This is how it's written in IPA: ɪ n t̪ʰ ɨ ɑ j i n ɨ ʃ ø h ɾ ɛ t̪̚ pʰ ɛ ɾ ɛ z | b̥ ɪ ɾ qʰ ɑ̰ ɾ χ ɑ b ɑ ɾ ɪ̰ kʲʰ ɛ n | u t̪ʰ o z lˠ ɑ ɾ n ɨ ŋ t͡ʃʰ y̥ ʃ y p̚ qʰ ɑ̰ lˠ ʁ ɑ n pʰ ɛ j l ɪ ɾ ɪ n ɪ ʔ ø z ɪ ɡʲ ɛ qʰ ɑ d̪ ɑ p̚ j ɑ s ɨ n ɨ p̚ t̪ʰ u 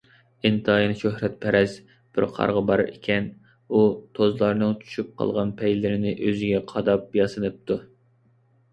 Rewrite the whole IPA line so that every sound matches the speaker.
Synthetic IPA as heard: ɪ n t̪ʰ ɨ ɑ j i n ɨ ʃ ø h ɾ ɛ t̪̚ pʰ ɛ ɾ ɛ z | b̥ ɪ ɾ qʰ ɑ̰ ɾ ʁ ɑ b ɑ ɾ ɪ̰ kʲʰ ɛ n | u t̪ʰ o z lˠ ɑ ɾ n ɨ ŋ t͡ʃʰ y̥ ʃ y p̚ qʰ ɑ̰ lˠ ʁ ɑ n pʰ ɛ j l ɪ ɾ ɪ n ɪ ʔ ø z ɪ ɡʲ ɛ qʰ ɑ d̪ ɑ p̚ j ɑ s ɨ n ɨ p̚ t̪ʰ u